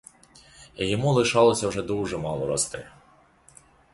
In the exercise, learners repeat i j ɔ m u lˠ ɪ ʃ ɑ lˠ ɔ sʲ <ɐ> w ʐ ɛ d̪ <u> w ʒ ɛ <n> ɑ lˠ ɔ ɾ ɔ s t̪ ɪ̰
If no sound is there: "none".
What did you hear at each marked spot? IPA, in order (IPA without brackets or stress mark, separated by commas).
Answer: ɐ, u, m